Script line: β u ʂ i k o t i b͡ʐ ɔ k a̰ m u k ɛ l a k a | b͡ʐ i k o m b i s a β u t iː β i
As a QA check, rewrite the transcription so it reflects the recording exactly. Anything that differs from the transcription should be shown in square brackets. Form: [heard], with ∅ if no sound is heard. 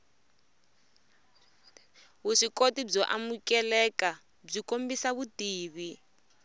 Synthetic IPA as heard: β u ʂ i k o t i b͡ʐ ɔ [ʔ] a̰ m u k ɛ l [ɛ] k a | b͡ʐ i k o m b i s a β u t iː β i